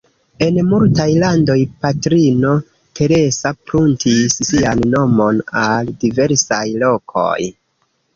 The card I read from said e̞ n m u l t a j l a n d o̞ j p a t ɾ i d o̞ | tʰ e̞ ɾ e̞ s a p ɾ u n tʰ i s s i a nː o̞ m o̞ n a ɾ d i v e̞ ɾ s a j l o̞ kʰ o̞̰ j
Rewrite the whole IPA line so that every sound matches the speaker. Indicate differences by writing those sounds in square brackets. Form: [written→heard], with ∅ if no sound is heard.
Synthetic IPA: e̞ n m u l t a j l a n d o̞ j p a t ɾ i [d→n] o̞ | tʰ e̞ ɾ e̞ s a p ɾ u n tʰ i s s i a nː o̞ m o̞ n a [ɾ→l] d i v e̞ ɾ s a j l o̞ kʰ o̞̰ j

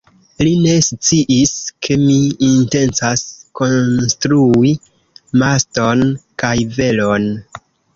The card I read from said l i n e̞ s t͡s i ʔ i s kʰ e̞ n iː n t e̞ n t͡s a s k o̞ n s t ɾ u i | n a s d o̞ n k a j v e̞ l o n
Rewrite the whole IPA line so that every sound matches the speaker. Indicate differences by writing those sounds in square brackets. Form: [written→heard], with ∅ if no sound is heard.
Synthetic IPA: l i n e̞ s t͡s i ʔ i s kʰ e̞ [n→m] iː n t e̞ n t͡s a s k o̞ n s t ɾ u i | [n→m] a s [d→t] o̞ n k a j v e̞ l o n

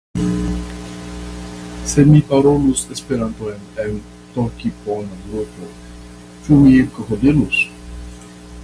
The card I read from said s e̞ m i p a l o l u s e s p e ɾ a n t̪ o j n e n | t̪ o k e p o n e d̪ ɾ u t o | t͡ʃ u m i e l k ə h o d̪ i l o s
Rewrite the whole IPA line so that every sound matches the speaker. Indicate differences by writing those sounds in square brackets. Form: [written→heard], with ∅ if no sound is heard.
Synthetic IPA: s e̞ m i p a [l→ɾ] o l u s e s p e ɾ a n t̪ o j n e n | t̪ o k [e→i] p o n [e→a] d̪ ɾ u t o | t͡ʃ u m i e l k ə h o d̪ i l [o→u] s

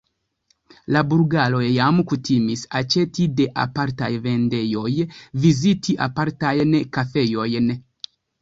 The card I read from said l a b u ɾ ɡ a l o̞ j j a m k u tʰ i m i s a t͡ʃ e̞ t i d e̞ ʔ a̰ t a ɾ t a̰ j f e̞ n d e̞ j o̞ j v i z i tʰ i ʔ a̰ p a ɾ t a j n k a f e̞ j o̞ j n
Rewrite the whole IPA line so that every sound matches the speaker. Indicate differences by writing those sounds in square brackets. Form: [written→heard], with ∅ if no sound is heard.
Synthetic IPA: l a b u ɾ ɡ a l o̞ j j a m k u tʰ i m i s a t͡ʃ e̞ t i d e̞ ʔ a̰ [t→p] a ɾ t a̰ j [f→v] e̞ n d e̞ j o̞ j v i z i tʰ i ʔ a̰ p a ɾ t a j n k a f e̞ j o̞ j n

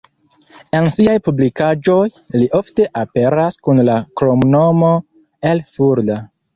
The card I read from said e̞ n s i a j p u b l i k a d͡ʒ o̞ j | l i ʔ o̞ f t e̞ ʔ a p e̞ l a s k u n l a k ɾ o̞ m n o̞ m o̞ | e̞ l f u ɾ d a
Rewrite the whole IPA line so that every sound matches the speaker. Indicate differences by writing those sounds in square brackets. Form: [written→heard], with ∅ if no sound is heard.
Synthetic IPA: e̞ n s i a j p u b l i k a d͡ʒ o̞ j | l i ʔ o̞ f t e̞ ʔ a p e̞ [l→ɾ] a s k u n l a k ɾ o̞ m n o̞ m o̞ | e̞ l f u ɾ d a

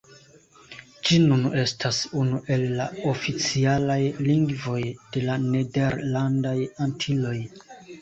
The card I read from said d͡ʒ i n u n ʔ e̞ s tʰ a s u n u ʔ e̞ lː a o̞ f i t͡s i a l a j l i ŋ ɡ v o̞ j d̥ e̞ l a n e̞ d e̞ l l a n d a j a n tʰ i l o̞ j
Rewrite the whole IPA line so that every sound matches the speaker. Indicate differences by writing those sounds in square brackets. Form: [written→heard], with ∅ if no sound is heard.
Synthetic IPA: d͡ʒ i n u n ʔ e̞ s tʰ a s u n u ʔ e̞ lː a o̞ f i t͡s i a l a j l i ŋ ɡ v o̞ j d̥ e̞ l a n e̞ d e̞ [l→ɾ] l a n d a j a n tʰ i l o̞ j

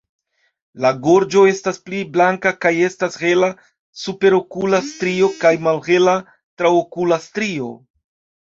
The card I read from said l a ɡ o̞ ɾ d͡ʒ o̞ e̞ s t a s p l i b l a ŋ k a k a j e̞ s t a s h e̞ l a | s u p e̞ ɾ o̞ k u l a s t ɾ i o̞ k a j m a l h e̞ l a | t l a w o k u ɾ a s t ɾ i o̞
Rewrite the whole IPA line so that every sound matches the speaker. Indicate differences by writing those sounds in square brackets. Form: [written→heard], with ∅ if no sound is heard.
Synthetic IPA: l a ɡ o̞ ɾ d͡ʒ o̞ e̞ s t a s p l i b l a ŋ k a k a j e̞ s t a s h e̞ l a | s u p e̞ ɾ o̞ k u l a s t ɾ i o̞ k a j m a l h e̞ l a | t [l→ɾ] a w o k u [ɾ→l] a s t ɾ i o̞

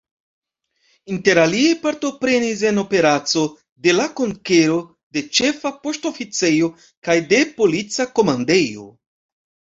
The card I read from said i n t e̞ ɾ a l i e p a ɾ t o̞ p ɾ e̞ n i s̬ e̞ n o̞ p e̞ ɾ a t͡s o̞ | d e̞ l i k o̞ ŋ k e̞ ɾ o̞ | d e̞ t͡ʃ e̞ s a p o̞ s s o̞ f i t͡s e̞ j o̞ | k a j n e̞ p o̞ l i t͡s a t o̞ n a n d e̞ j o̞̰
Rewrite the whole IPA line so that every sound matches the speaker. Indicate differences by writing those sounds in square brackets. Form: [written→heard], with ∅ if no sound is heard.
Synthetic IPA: i n t e̞ ɾ a l i e p a ɾ t o̞ p ɾ e̞ n i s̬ e̞ n o̞ p e̞ ɾ a t͡s o̞ | d e̞ l [i→a] k o̞ ŋ k e̞ ɾ o̞ | d e̞ t͡ʃ e̞ [s→f] a p o̞ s [s→t] o̞ f i t͡s e̞ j o̞ | k a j [n→d] e̞ p o̞ l i t͡s a [t→k] o̞ [n→m] a n d e̞ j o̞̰

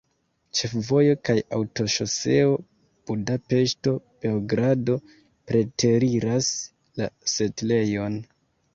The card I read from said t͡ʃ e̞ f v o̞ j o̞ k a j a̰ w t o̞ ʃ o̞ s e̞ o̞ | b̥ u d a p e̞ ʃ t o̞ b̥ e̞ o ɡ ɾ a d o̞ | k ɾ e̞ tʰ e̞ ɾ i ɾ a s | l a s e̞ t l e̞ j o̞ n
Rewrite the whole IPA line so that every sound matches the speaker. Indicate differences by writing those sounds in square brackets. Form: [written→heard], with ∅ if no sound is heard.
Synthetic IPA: t͡ʃ e̞ f v o̞ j o̞ k a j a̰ w t o̞ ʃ o̞ s e̞ o̞ | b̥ u d a p e̞ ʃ t o̞ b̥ e̞ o ɡ ɾ a d o̞ | [k→p] ɾ e̞ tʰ e̞ ɾ i ɾ a s | l a s e̞ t l e̞ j o̞ n

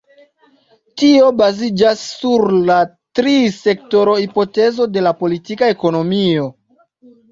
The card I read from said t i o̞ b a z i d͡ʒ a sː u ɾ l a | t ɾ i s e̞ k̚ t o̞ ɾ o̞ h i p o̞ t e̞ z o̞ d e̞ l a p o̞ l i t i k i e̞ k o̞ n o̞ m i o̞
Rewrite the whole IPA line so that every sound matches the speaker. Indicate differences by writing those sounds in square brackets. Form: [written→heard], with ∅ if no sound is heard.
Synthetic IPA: t i o̞ b a z i d͡ʒ a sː u ɾ l a | t ɾ i s e̞ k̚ t o̞ ɾ o̞ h i p o̞ t e̞ z o̞ d e̞ l a p o̞ l i t i k [i→a] e̞ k o̞ n o̞ m i o̞

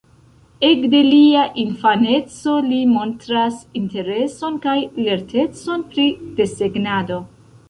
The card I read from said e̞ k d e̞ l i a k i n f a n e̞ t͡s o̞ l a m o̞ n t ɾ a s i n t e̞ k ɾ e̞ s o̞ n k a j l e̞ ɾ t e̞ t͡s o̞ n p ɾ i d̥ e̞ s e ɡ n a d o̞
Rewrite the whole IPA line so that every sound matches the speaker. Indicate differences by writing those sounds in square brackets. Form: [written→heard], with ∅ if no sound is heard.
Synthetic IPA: e̞ k d e̞ l i a [k→ʔ] i n f a n e̞ t͡s o̞ l [a→i] m o̞ n t ɾ a s i n t e̞ [k→∅] ɾ e̞ s o̞ n k a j l e̞ ɾ t e̞ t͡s o̞ n p ɾ i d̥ e̞ s e ɡ n a d o̞

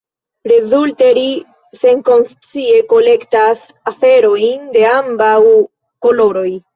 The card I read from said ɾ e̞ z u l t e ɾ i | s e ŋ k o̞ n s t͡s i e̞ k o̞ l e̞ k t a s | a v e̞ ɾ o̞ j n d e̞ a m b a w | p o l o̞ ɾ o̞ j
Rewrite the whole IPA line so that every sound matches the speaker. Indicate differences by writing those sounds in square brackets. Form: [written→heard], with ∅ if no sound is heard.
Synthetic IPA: ɾ e̞ z u l t e ɾ i | s e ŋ k o̞ n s t͡s i e̞ k o̞ l e̞ k t a s | a [v→f] e̞ ɾ o̞ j n d e̞ a m b a w | [p→k] o l o̞ ɾ o̞ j

